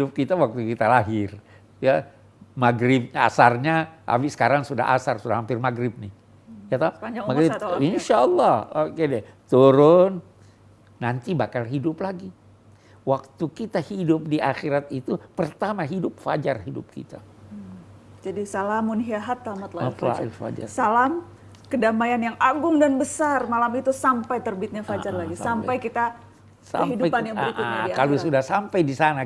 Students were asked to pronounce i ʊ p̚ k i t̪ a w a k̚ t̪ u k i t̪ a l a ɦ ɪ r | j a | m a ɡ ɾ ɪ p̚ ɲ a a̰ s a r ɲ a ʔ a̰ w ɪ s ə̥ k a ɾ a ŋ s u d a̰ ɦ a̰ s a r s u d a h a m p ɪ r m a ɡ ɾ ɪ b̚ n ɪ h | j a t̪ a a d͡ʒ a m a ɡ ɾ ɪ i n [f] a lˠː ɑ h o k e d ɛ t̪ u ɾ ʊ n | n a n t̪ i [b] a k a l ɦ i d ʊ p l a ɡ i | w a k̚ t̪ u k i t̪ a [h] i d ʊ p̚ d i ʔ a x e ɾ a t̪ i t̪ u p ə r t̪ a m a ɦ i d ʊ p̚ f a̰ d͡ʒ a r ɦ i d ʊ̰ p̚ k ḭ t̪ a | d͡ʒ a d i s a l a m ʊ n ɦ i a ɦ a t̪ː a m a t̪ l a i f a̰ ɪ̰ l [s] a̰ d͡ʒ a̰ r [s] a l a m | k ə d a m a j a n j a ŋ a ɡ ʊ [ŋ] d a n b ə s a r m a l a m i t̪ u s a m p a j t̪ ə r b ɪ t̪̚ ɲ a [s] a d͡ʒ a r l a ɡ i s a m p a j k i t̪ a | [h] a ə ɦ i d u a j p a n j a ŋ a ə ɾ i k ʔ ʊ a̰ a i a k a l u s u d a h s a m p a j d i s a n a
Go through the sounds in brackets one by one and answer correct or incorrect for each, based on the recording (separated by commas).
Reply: incorrect, correct, correct, incorrect, correct, correct, incorrect, incorrect